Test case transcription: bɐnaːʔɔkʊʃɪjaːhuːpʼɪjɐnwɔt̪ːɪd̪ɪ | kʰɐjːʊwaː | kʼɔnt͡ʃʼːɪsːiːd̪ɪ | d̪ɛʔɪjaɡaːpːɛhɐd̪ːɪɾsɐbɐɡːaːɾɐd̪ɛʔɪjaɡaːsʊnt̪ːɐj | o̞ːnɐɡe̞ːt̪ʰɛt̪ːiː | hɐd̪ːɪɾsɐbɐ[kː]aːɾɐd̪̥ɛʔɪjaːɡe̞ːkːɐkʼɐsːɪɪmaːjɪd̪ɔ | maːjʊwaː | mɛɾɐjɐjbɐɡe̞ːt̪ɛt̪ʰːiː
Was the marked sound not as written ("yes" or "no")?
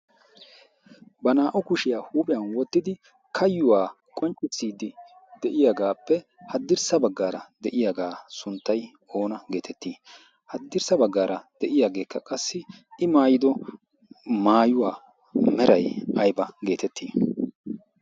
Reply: yes